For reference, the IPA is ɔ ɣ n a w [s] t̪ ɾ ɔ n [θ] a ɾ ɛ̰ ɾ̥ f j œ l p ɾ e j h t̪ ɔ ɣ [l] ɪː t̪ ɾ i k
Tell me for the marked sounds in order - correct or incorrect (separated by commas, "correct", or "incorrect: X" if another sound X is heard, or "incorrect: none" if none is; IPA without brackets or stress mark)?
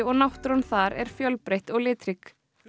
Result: incorrect: h, correct, correct